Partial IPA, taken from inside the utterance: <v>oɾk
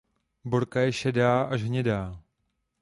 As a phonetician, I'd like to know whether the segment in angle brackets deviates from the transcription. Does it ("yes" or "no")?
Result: yes